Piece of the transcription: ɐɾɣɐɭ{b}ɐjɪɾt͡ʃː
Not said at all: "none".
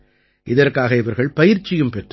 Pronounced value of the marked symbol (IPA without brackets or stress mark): p